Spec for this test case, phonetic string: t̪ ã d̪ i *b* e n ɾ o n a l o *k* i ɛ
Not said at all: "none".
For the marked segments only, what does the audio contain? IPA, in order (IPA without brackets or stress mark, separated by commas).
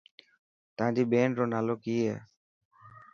b, k